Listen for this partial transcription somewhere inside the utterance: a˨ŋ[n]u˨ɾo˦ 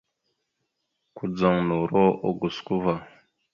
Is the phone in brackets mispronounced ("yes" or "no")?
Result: no